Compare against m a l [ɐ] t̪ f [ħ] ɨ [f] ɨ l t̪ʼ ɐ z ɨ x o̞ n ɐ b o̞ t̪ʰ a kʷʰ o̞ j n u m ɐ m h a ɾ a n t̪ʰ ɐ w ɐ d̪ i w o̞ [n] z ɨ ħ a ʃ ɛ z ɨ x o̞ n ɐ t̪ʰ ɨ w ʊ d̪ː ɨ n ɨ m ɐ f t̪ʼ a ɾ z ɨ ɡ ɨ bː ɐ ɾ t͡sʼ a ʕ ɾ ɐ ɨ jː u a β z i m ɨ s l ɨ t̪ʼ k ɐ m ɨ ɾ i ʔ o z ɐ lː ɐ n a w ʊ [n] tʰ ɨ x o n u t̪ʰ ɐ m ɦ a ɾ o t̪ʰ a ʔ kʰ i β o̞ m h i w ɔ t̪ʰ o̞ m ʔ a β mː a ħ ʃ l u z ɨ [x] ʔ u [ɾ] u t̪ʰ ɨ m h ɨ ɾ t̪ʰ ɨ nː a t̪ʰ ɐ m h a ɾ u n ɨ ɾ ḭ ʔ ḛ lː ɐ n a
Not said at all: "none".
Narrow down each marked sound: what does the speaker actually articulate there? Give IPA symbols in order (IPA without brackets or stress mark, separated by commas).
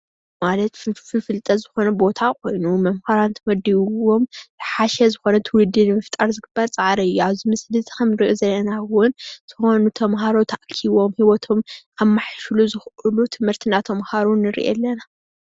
ɐ, f, f, m, n, x, l